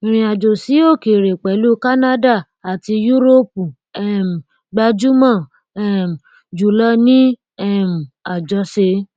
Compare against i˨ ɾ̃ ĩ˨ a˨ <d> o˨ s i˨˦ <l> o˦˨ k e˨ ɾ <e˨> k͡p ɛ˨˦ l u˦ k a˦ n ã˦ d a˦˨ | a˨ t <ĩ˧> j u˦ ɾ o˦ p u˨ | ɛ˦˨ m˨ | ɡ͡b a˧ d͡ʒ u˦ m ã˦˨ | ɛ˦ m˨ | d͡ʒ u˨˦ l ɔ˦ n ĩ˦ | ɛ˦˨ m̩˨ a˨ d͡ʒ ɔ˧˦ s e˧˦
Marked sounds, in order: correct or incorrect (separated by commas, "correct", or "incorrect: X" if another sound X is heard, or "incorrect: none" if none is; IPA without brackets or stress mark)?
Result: incorrect: d͡ʒ, incorrect: none, correct, incorrect: i˧